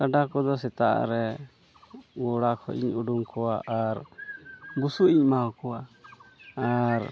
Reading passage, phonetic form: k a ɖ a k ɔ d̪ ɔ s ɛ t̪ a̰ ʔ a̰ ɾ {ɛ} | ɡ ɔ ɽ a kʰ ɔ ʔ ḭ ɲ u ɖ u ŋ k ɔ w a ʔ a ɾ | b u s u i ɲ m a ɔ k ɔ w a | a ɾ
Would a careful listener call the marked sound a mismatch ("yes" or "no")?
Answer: no